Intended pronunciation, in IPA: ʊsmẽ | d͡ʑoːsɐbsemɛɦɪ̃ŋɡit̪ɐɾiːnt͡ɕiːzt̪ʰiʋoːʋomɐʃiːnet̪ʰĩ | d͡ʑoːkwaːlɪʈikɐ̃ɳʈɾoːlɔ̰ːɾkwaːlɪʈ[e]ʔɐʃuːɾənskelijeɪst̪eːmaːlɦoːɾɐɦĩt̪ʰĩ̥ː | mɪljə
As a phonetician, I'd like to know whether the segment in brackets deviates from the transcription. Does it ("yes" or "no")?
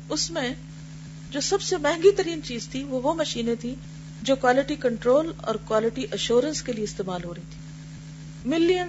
yes